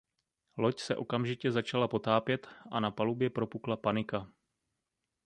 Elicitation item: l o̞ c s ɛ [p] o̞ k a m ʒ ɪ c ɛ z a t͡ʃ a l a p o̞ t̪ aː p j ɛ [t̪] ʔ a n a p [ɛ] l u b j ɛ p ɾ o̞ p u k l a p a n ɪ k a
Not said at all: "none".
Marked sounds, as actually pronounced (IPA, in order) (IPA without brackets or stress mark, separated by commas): ʔ, t̪, a